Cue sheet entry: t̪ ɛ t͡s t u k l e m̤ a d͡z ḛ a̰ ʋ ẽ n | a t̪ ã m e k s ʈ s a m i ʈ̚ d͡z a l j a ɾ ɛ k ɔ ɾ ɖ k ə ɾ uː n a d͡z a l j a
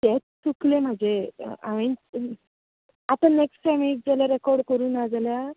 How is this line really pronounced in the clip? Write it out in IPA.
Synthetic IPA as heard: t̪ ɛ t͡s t u k l e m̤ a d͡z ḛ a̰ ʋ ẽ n | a t̪ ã n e k s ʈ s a m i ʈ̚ d͡z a l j a ɾ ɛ k ɔ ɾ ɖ k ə ɾ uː n a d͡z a l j a

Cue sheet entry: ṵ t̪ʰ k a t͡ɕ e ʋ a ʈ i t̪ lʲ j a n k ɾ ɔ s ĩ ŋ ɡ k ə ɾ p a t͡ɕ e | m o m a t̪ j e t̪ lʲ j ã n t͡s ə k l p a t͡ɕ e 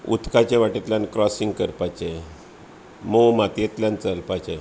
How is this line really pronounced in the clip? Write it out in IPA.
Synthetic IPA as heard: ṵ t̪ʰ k a t͡ɕ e ʋ a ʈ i t̪ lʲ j a n k ɾ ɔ s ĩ ŋ ɡ k ə ɾ p a t͡ɕ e | m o m a t̪ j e t̪ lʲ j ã n t͡s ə l p a t͡ɕ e

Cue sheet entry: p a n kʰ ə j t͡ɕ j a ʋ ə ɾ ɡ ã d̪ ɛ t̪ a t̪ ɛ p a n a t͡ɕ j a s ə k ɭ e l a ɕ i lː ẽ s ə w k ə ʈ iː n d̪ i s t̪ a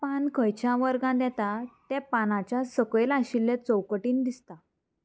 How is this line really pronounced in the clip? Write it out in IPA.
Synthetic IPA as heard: p a n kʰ ə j t͡ɕ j a ʋ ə ɾ ɡ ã d̪ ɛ t̪ a t̪ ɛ p a n a t͡ɕ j a s ə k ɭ e l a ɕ i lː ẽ t͡s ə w k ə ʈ iː n d̪ i s t̪ a

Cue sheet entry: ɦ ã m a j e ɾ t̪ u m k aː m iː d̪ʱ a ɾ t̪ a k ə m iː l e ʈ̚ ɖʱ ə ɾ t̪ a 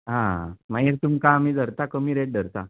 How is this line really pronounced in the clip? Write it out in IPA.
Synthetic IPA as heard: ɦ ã m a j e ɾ t̪ u m k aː m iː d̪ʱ ə ɾ t̪ a k ə m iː ɾ e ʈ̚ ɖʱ ə ɾ t̪ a

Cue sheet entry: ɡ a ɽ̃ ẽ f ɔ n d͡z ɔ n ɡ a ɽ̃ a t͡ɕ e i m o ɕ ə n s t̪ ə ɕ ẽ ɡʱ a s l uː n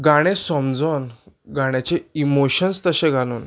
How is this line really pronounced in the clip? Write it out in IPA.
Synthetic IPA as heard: ɡ a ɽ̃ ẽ s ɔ m d͡z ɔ n ɡ a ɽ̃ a t͡ɕ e i m o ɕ ə n s t̪ ə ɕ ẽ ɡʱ a l uː n

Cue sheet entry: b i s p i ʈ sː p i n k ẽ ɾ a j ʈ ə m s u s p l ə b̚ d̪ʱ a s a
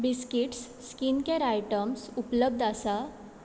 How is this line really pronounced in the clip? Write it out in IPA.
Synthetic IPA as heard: b i s k i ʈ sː k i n k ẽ ɾ a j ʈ ə m s u p l ə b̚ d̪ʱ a s a

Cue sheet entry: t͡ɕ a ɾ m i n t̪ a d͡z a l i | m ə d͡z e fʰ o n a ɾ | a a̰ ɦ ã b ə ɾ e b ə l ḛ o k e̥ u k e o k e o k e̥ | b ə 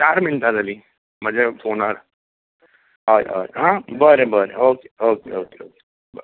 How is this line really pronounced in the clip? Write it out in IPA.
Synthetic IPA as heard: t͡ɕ a ɾ m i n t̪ a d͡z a l i | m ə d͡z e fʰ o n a ɾ | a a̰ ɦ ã b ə ɾ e b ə ɾ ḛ o k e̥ o k e o k e o k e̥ | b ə

